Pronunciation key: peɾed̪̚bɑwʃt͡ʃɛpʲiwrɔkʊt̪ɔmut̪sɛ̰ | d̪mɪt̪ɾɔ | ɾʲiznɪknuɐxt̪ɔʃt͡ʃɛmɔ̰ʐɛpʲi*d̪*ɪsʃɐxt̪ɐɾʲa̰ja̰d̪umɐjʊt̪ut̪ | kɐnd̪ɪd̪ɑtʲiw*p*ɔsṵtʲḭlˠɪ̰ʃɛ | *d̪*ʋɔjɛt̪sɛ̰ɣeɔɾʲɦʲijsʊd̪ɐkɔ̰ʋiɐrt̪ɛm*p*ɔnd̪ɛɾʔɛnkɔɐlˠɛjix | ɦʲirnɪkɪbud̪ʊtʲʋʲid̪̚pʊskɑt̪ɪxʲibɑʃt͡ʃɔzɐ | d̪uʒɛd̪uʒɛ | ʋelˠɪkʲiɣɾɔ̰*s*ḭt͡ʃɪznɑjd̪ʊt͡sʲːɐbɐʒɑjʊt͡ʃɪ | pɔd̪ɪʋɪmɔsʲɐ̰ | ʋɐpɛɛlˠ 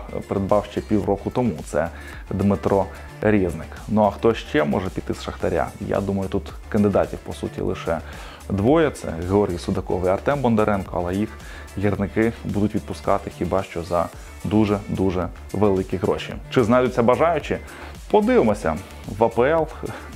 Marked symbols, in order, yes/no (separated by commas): no, yes, yes, no, no